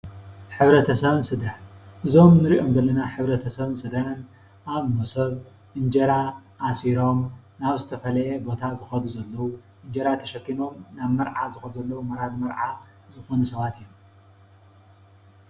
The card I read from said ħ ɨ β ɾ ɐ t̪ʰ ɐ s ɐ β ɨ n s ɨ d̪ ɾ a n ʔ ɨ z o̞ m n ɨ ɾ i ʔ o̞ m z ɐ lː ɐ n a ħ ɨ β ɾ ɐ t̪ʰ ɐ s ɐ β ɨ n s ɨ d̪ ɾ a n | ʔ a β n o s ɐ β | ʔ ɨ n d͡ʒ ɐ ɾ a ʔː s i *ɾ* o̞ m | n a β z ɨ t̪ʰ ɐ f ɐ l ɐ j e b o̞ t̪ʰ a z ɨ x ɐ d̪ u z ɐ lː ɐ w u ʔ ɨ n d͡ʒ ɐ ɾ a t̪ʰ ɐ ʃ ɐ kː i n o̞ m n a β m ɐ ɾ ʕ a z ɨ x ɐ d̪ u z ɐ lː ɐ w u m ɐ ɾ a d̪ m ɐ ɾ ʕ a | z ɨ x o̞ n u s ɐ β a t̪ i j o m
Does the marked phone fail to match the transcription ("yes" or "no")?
no